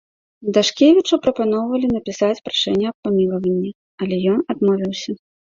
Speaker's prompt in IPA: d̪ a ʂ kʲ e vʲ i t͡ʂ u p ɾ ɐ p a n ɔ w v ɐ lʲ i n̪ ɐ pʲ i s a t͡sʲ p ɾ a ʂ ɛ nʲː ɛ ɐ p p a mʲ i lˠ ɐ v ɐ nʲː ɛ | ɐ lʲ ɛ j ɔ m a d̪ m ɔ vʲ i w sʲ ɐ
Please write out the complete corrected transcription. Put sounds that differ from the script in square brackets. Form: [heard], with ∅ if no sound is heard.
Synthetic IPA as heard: d̪ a ʂ kʲ e vʲ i t͡ʂ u p ɾ ɐ p a n ɔ w v ɐ lʲ i n̪ ɐ pʲ i s a t͡sʲ p ɾ a ʂ ɛ nʲː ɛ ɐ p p a mʲ i lˠ ɐ v ɐ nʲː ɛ | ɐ lʲ ɛ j ɔ [n] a d̪ m ɔ vʲ i w sʲ ɐ